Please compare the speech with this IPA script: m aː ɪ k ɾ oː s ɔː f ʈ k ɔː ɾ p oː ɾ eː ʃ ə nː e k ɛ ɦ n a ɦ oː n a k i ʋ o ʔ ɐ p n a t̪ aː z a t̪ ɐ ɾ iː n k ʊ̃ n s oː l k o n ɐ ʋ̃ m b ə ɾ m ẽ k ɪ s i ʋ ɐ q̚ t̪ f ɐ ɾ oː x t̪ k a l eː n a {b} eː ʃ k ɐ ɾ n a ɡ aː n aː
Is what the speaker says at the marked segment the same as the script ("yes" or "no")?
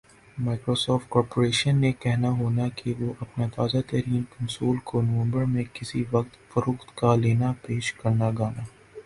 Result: no